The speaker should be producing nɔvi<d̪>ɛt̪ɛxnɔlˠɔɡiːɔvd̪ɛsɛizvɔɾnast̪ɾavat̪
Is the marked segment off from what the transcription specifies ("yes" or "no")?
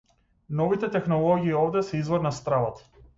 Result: yes